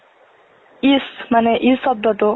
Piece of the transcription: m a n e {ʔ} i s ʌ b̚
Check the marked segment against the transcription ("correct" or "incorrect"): correct